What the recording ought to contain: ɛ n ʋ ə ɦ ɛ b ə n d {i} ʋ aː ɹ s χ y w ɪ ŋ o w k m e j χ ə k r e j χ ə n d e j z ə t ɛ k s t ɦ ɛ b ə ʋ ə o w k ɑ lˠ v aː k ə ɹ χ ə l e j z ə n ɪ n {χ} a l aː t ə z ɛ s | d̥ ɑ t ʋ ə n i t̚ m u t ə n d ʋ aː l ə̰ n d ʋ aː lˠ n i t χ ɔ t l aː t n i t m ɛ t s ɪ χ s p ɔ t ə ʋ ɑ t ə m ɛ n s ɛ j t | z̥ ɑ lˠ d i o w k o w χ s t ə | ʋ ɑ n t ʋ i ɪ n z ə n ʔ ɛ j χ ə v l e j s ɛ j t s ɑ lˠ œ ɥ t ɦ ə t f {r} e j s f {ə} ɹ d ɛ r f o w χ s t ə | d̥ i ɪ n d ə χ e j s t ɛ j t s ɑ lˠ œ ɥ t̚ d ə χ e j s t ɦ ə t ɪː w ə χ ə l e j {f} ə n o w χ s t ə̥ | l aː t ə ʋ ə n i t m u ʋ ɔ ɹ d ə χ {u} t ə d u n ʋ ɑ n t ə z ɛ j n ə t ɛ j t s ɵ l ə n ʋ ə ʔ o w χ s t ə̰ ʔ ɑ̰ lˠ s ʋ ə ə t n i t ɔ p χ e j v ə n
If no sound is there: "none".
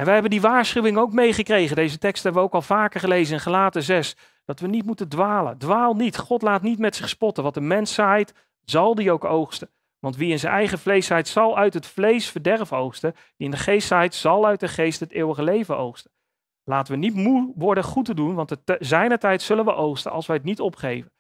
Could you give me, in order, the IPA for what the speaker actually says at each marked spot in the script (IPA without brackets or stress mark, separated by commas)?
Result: i, χ, l, ə, v, u